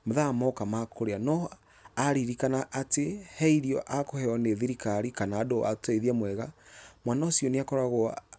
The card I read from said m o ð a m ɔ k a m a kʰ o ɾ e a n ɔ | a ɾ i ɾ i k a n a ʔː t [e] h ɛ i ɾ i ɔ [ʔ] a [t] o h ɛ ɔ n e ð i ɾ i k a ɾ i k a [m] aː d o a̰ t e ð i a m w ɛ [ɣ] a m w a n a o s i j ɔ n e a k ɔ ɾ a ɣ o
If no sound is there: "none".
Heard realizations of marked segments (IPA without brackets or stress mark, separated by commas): e, ʔ, k, n, ɣ